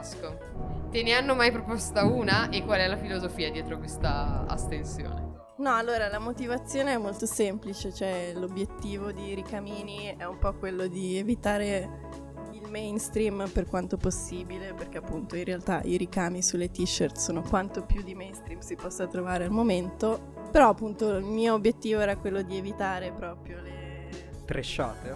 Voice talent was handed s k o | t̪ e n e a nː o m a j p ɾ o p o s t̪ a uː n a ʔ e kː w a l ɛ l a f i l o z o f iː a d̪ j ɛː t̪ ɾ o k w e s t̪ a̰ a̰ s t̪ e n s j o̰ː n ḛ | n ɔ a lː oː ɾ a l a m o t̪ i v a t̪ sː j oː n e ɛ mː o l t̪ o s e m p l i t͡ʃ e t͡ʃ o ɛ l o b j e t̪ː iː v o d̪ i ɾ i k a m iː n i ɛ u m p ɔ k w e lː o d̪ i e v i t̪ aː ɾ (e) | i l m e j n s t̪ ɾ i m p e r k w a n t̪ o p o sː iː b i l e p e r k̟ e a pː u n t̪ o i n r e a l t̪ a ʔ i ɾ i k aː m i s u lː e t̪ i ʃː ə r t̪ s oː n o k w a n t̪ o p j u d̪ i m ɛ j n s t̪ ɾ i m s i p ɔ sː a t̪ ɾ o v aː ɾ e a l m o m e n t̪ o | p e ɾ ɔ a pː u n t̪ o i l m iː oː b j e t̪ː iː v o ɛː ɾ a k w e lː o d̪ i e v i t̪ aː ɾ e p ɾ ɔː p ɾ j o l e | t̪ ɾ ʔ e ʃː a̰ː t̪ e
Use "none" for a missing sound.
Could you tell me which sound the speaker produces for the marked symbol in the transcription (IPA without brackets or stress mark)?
e